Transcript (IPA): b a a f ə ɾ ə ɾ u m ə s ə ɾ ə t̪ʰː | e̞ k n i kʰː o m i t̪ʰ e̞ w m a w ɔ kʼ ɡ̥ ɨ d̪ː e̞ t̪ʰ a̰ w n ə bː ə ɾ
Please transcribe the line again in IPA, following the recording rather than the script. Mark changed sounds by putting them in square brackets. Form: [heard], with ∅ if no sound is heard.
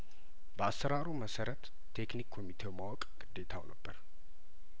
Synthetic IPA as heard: b [ə] a [s] ə ɾ [a] ɾ u m ə s ə ɾ ə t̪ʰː | e̞ k n i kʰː o m i t̪ʰ e̞ w m a w ɔ kʼ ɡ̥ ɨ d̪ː e̞ t̪ʰ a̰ w n ə bː ə ɾ